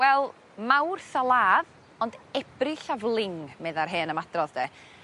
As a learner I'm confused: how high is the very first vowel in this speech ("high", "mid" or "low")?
mid